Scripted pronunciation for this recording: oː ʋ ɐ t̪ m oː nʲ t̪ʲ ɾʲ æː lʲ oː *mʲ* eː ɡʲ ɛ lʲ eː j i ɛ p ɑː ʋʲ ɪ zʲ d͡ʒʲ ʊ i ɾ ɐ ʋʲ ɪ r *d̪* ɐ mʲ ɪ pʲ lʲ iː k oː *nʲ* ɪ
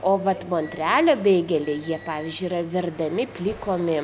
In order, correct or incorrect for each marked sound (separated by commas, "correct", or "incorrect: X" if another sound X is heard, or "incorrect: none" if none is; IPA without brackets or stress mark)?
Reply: incorrect: bʲ, correct, incorrect: mʲ